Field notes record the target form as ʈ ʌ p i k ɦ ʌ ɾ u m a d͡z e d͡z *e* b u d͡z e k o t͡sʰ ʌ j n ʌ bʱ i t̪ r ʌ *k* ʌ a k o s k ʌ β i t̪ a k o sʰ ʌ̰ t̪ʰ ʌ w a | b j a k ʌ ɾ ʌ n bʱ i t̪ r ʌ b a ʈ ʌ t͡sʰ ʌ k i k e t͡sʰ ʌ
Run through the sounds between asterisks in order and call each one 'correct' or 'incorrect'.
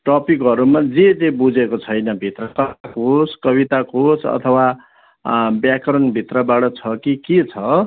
correct, correct

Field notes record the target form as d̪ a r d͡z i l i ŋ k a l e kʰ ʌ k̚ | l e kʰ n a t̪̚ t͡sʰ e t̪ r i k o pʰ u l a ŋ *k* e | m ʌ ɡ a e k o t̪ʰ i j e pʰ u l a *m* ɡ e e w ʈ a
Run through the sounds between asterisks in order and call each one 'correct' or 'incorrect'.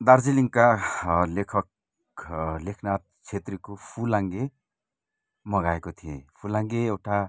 incorrect, incorrect

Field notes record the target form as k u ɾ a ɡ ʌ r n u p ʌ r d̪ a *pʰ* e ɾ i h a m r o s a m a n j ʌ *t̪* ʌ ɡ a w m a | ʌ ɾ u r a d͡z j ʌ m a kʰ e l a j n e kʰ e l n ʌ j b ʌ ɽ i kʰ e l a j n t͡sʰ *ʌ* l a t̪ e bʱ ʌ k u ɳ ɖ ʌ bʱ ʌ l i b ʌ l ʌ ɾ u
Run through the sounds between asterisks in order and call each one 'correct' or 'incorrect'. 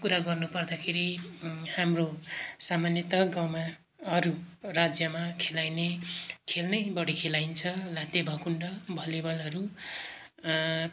incorrect, correct, correct

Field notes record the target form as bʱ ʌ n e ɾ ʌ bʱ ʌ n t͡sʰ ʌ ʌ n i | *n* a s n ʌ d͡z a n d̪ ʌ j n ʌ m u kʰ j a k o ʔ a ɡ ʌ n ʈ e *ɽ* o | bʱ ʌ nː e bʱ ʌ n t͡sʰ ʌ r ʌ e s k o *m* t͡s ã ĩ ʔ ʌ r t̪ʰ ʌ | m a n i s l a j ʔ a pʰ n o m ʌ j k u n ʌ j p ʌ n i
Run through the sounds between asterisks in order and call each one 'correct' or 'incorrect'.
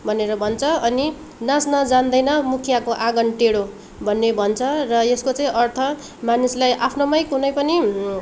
correct, correct, incorrect

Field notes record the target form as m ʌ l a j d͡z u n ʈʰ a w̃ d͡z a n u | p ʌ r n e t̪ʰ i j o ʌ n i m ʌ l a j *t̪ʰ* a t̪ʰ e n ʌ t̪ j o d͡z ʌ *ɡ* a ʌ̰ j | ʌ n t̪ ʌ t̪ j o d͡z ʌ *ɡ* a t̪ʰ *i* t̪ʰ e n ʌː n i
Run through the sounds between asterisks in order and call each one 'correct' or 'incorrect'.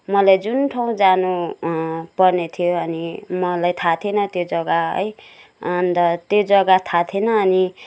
correct, correct, correct, incorrect

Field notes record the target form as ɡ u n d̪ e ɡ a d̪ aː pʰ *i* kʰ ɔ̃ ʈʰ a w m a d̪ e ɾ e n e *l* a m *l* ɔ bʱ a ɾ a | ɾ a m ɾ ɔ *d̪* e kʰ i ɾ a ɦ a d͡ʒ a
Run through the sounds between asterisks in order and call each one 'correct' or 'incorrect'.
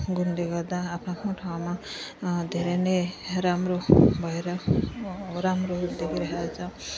incorrect, incorrect, incorrect, correct

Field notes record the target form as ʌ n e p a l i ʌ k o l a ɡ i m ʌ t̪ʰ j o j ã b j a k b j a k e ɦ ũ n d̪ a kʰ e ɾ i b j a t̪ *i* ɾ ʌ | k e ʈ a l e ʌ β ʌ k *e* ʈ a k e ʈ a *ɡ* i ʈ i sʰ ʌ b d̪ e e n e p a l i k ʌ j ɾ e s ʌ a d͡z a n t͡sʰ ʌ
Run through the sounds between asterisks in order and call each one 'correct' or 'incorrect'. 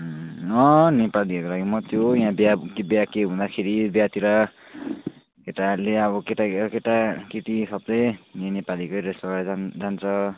correct, correct, incorrect

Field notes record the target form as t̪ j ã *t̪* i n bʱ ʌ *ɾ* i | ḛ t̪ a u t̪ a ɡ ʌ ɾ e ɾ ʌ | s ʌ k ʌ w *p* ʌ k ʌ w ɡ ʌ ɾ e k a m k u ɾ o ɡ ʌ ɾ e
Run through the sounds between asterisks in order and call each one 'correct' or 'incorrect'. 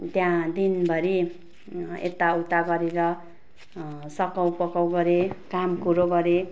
incorrect, correct, correct

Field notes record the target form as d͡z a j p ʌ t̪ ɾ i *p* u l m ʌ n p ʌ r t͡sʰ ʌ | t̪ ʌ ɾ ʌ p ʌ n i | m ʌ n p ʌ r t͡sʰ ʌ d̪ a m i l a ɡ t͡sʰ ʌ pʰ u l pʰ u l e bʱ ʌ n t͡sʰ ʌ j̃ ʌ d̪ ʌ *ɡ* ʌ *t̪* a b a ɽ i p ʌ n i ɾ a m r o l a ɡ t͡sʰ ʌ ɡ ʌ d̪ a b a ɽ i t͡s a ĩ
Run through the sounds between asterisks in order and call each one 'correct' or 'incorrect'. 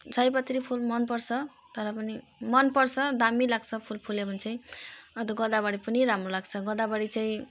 incorrect, correct, incorrect

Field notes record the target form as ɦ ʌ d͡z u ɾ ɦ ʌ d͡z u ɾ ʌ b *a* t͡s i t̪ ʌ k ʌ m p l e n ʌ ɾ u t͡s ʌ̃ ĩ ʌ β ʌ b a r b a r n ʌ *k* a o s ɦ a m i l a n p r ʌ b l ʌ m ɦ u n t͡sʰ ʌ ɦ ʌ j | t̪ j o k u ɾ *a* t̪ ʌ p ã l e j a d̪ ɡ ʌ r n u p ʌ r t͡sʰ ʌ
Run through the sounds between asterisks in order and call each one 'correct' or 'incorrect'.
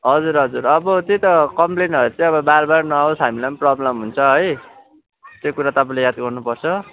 incorrect, incorrect, correct

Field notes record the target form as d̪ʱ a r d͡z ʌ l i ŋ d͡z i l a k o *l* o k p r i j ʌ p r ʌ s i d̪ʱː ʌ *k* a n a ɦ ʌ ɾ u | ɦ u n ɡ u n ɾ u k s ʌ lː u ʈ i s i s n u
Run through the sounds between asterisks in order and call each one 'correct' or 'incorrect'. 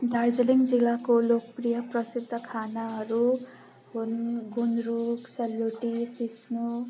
correct, incorrect

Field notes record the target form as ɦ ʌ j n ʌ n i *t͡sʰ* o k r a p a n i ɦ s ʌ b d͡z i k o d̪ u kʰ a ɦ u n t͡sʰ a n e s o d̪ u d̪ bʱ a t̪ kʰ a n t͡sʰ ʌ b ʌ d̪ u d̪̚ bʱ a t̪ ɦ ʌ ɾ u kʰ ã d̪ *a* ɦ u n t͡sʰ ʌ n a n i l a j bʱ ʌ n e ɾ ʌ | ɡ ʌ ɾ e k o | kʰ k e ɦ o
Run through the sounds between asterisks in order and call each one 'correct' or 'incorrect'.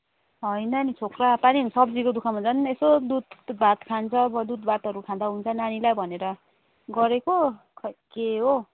correct, correct

